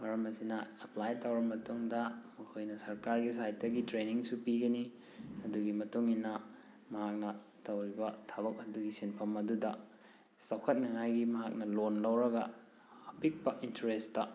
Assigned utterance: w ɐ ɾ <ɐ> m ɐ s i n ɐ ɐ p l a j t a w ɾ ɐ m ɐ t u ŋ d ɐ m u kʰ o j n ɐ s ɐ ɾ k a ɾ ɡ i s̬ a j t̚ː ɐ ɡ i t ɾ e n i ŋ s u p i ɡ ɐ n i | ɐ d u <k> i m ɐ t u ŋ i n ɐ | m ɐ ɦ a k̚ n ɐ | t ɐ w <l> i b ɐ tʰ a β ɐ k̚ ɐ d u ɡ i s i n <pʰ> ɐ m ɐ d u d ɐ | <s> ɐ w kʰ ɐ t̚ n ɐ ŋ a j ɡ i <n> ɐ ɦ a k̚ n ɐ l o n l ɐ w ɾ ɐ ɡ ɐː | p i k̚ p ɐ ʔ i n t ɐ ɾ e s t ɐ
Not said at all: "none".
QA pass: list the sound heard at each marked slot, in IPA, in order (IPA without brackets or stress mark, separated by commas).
ɐ, ɡ, ɾ, pʰ, s, m